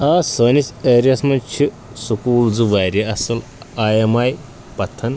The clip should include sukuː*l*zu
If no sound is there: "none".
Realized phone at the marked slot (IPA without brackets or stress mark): l